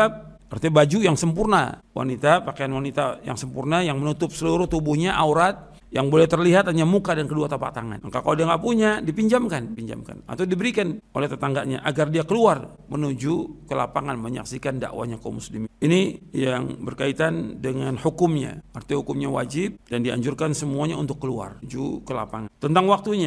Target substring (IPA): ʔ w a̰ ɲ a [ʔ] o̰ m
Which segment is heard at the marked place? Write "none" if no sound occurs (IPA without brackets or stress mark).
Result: k